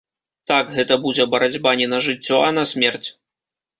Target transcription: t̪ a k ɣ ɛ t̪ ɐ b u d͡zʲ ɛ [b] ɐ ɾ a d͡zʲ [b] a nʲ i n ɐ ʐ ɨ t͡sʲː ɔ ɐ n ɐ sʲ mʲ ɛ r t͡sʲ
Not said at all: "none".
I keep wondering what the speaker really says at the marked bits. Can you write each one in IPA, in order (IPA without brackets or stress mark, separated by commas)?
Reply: b, b